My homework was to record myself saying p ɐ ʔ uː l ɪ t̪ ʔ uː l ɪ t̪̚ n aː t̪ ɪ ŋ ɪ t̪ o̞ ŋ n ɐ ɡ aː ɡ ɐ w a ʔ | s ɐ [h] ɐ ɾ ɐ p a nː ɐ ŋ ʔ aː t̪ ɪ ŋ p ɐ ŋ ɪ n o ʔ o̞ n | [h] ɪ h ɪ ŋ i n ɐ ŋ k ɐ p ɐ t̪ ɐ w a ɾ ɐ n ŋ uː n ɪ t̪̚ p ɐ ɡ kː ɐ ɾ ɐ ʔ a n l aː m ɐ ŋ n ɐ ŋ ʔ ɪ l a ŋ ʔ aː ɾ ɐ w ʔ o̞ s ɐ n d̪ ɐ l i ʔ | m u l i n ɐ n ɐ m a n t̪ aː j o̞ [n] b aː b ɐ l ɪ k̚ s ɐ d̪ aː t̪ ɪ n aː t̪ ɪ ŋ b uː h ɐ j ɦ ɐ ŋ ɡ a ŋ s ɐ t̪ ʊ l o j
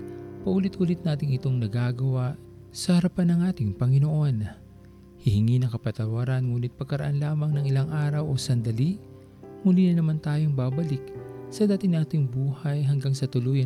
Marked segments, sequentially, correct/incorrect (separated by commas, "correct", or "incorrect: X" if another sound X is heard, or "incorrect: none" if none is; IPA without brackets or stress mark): correct, correct, incorrect: ŋ